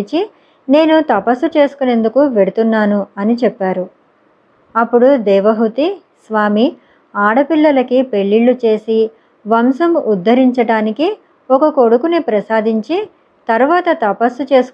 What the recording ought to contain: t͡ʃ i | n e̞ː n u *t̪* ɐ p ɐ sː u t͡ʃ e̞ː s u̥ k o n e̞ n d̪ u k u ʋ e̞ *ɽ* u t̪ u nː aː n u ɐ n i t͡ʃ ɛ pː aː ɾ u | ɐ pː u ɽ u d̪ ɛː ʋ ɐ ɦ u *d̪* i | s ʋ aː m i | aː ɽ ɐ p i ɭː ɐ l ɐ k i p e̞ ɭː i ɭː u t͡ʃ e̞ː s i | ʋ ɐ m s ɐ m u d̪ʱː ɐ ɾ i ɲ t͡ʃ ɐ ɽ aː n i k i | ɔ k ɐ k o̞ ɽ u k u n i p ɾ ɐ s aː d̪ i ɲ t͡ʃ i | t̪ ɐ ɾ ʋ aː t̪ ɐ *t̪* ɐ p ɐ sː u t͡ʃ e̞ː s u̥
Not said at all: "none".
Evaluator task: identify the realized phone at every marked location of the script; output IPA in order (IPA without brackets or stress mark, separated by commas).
t̪, ɽ, t̪, t̪